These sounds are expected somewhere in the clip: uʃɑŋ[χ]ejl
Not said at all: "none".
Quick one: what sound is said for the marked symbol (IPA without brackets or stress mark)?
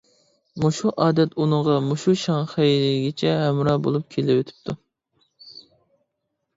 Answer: χ